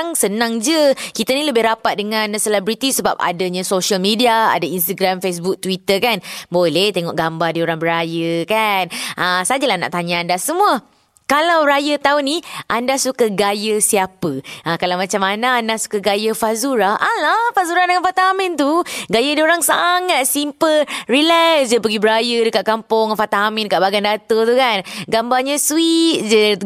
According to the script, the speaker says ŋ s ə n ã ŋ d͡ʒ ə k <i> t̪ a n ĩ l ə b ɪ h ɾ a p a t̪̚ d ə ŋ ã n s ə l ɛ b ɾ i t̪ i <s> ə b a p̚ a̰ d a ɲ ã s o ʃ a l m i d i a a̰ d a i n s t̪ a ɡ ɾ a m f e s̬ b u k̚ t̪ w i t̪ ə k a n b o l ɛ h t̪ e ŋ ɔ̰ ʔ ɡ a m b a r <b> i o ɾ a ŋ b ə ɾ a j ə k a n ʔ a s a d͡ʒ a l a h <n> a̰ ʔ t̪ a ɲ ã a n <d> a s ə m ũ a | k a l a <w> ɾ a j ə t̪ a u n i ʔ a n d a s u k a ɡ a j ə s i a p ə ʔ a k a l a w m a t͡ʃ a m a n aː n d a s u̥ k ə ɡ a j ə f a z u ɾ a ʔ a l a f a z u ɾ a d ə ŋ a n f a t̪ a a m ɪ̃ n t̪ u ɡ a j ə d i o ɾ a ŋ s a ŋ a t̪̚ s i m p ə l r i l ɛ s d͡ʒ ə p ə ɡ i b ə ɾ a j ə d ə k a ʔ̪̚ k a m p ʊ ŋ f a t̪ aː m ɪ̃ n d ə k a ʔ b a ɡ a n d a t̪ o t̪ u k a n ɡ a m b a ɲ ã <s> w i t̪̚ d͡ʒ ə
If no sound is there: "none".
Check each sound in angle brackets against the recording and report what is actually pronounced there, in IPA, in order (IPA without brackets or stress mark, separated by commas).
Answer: i, s, d, n, d, w, s